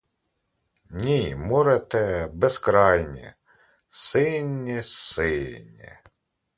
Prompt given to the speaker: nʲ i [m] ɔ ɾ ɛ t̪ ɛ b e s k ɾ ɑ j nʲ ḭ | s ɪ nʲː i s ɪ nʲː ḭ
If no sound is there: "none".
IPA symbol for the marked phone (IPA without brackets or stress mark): m